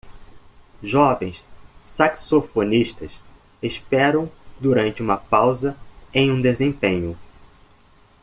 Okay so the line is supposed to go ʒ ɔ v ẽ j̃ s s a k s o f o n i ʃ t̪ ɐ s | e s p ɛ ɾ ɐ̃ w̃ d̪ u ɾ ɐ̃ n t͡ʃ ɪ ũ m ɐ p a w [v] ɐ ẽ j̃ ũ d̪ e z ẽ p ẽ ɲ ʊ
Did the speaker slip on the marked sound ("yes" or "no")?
yes